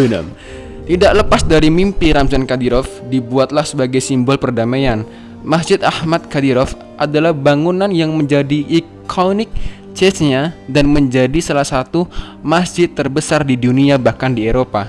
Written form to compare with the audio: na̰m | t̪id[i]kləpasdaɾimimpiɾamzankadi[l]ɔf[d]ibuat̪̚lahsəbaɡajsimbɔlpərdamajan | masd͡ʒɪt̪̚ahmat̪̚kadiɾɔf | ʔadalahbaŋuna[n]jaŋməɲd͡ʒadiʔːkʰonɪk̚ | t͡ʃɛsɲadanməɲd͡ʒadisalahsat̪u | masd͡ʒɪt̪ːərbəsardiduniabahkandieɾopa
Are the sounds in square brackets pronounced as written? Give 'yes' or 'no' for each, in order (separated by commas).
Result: no, no, yes, yes